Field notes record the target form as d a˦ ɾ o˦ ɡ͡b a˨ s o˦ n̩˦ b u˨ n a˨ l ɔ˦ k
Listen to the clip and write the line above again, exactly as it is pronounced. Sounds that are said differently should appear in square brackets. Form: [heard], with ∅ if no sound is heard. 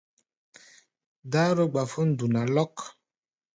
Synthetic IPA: d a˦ ɾ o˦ ɡ͡b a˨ [f] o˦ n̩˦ [d] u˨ n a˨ l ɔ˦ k

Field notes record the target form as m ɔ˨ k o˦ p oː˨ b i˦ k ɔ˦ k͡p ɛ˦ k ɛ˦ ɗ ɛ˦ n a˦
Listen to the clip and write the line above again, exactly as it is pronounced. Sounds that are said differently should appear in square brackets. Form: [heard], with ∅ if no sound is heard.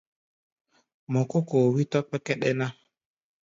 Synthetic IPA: m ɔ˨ k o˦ [k] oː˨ [w] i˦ [t] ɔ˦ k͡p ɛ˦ k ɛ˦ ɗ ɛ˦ n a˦

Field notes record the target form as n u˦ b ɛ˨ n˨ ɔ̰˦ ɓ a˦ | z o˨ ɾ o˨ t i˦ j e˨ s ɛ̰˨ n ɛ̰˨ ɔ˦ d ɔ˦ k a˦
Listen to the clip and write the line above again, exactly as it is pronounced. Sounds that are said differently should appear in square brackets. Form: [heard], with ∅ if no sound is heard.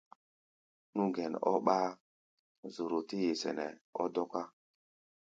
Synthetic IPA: n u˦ [ɡ] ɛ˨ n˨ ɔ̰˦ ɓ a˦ | z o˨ ɾ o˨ t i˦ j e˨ s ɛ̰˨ n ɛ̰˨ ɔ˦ d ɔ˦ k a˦

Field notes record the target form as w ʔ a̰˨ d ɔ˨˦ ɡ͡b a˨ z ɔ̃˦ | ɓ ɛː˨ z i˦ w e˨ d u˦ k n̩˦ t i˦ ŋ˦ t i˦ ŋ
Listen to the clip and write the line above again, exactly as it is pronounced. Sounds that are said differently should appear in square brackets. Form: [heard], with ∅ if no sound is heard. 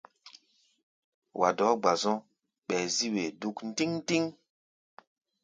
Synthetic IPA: w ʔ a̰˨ d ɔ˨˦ ɡ͡b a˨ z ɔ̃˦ | ɓ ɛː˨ z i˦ w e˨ d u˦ k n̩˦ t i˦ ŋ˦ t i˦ ŋ

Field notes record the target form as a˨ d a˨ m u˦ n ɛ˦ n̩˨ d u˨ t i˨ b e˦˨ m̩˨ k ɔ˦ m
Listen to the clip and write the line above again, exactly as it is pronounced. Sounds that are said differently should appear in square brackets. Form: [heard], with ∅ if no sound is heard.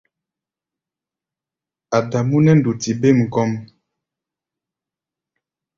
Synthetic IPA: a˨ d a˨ m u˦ n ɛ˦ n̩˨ d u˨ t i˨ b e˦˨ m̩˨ k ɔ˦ m

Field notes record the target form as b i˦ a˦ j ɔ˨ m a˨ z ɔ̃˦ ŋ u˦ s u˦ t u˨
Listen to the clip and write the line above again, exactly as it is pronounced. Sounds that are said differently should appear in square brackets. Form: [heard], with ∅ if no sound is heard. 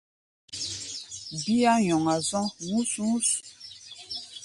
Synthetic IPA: b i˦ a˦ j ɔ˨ [ŋ] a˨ z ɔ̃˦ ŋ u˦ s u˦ [s] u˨

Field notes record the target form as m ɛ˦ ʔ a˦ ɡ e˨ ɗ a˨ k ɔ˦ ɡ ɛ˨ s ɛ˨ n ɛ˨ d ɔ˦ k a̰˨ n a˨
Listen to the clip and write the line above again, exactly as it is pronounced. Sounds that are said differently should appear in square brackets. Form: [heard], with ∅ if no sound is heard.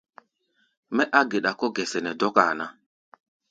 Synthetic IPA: m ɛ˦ ʔ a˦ ɡ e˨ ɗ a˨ k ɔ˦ ɡ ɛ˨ s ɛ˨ n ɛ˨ d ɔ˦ k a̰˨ n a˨

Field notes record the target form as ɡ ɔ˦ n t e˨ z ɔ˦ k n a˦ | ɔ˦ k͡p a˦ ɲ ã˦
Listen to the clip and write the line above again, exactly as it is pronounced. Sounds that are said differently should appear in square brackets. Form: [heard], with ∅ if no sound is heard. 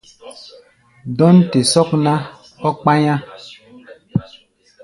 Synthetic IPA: [d] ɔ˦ n t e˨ [s] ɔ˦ k n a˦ | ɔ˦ k͡p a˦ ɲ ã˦

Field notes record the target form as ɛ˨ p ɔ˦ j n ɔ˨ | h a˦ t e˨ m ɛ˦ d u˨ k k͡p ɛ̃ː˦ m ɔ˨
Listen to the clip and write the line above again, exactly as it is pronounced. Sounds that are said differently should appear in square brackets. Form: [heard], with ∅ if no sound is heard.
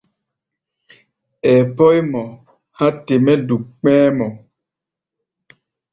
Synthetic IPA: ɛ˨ p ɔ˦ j [m] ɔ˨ | h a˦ t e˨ m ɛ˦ d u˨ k k͡p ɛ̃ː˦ m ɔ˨

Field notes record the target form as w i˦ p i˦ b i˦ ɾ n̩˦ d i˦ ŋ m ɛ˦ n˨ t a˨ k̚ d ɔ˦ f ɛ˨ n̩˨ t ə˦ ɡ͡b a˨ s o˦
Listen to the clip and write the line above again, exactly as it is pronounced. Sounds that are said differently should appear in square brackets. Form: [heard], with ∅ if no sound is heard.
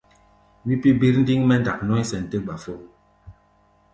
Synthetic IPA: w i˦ p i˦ b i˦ ɾ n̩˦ d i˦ ŋ m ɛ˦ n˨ [d] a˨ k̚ [n] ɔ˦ [s] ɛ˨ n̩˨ t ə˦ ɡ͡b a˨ [f] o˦

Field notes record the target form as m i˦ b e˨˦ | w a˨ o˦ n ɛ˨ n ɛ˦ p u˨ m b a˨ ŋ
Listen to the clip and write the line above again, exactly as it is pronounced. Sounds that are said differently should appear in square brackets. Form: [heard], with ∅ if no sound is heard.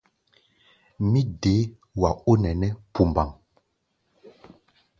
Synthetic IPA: m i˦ [d] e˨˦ | w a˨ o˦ n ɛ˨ n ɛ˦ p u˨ m b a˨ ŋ

